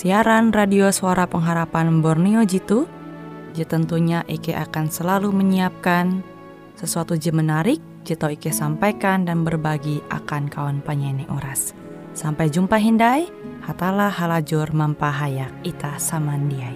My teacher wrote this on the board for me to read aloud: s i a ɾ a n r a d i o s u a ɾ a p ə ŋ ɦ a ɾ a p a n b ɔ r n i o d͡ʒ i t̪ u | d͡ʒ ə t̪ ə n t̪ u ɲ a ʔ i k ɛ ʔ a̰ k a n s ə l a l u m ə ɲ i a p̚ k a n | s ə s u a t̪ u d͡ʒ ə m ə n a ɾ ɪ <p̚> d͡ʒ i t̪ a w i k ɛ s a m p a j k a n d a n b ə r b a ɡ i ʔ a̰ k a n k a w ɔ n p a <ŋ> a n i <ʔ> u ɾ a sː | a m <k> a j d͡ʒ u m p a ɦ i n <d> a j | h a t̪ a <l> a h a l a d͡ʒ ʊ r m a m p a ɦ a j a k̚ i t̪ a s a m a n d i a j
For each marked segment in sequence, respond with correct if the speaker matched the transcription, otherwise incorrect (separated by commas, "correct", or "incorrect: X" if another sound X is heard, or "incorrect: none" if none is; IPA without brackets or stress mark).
incorrect: k̚, incorrect: ɲ, correct, incorrect: p, correct, correct